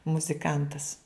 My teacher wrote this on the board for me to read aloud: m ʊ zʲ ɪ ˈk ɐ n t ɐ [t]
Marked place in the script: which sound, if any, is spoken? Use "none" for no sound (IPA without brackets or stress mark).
s